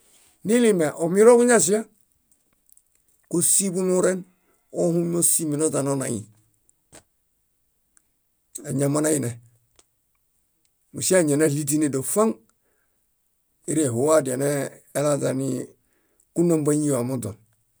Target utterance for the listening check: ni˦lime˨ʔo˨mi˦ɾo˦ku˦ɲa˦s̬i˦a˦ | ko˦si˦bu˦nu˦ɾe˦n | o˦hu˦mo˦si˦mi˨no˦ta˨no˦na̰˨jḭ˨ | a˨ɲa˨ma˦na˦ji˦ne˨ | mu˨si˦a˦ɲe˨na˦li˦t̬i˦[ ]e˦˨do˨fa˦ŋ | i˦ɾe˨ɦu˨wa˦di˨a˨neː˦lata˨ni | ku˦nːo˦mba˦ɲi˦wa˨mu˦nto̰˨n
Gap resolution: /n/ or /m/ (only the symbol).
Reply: n